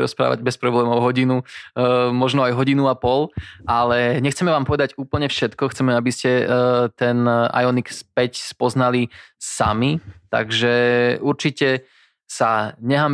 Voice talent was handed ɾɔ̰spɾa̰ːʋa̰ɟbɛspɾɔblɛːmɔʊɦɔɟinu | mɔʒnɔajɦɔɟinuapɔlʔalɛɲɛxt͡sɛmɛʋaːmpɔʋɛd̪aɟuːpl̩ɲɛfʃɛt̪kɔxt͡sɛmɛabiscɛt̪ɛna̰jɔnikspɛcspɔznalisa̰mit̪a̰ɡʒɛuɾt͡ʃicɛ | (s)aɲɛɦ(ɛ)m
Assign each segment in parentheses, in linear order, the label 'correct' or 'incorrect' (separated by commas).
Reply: correct, incorrect